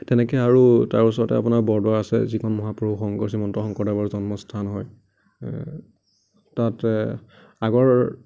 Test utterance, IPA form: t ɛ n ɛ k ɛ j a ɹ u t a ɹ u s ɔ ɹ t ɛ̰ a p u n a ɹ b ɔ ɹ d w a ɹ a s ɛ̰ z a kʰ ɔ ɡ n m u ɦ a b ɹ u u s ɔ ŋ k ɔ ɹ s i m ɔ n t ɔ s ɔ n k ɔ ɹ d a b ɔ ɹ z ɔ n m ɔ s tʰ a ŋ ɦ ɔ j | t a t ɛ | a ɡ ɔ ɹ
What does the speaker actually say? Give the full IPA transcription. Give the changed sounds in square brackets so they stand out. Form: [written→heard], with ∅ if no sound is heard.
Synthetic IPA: t ɛ n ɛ k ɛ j a ɹ u t a ɹ u s ɔ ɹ t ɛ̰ a p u n a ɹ b ɔ ɹ d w a ɹ a s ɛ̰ z [a→i] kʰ ɔ [ɡ→∅] n m [u→ɔ] ɦ a [b→p] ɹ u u [s→x] ɔ ŋ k ɔ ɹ s i m ɔ n t ɔ [s→x] ɔ [n→ŋ] k ɔ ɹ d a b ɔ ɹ z ɔ n m ɔ s tʰ a [ŋ→n] ɦ ɔ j | t a t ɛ | a ɡ ɔ ɹ